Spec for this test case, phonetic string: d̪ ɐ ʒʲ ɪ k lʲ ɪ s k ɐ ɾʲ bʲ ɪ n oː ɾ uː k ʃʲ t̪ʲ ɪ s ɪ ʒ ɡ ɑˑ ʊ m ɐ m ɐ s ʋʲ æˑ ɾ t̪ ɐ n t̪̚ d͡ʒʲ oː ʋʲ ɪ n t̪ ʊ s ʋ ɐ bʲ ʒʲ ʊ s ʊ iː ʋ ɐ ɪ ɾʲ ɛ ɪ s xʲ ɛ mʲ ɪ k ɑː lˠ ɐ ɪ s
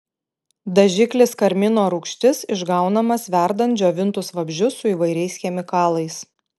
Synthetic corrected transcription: d̪ ɐ ʒʲ ɪ k lʲ ɪ s k ɐ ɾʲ mʲ ɪ n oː ɾ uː k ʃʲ t̪ʲ ɪ s ɪ ʒ ɡ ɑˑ ʊ n ɐ m ɐ s ʋʲ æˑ ɾ d̪ ɐ n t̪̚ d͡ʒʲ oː ʋʲ ɪ n t̪ ʊ s ʋ ɐ bʲ ʒʲ ʊ s ʊ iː ʋ ɐ ɪ ɾʲ ɛ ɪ s xʲ ɛ mʲ ɪ k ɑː lˠ ɐ ɪ s